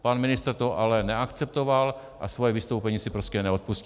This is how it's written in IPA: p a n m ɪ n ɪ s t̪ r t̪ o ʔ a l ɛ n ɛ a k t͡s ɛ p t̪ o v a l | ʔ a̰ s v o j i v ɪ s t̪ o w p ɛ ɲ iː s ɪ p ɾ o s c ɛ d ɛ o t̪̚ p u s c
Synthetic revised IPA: p a n m ɪ n ɪ s t̪ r t̪ o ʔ a l ɛ n ɛ a k t͡s ɛ p t̪ o v a l | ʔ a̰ s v o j ɛ v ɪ s t̪ o w p ɛ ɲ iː s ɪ p ɾ o s c ɛ n ɛ o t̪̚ p u s c